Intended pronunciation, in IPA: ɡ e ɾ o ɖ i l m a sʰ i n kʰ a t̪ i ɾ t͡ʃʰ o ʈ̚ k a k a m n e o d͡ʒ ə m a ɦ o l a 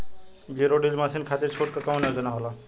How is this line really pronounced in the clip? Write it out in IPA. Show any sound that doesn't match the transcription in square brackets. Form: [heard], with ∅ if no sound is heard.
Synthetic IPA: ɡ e ɾ o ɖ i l m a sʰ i n kʰ a t̪ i ɾ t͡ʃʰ o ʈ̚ k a k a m n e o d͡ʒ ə [n] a ɦ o l a